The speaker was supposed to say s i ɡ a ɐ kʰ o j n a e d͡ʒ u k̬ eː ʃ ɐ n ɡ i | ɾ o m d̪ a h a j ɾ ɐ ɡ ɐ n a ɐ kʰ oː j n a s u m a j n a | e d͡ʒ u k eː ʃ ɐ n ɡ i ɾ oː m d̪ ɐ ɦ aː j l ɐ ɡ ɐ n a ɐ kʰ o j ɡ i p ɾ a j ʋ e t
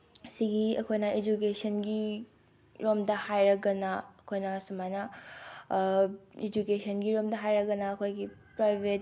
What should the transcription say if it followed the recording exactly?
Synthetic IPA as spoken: s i ɡ i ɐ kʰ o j n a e d͡ʒ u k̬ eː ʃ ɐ n ɡ i | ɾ o m d̪ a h a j ɾ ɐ ɡ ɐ n a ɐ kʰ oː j n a s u m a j n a | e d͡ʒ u k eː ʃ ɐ n ɡ i ɾ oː m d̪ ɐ ɦ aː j ɾ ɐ ɡ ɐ n a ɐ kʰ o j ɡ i p ɾ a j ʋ e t